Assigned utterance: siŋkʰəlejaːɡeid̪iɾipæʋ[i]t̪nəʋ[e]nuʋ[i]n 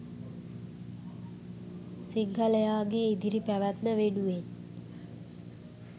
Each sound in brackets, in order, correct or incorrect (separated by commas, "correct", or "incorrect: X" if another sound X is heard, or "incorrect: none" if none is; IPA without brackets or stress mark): incorrect: æ, correct, incorrect: e